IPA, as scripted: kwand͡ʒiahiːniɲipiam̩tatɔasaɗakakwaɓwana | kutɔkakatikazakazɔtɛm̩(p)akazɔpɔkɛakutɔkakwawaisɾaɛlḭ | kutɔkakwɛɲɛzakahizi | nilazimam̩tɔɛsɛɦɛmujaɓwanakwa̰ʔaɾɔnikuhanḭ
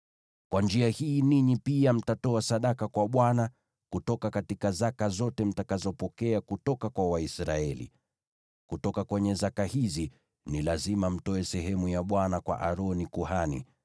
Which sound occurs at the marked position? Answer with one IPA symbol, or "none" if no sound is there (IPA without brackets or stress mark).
t